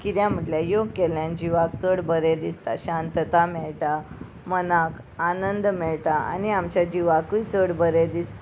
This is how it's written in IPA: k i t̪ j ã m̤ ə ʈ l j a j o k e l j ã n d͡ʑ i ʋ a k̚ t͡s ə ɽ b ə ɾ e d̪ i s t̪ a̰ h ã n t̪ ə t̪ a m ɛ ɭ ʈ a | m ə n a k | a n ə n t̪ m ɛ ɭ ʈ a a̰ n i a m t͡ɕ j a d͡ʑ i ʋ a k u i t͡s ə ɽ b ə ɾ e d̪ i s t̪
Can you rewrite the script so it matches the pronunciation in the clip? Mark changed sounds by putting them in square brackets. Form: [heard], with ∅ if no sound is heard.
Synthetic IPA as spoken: k i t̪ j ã m̤ ə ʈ l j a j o k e l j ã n d͡ʑ i ʋ a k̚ t͡s ə ɽ b ə ɾ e d̪ i s t̪ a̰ [ɕ] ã n t̪ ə t̪ a m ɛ ɭ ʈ a | m ə n a k | a n ə n [d̪] m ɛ ɭ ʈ a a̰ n i a m t͡ɕ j a d͡ʑ i ʋ a k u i t͡s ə ɽ b ə ɾ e d̪ i s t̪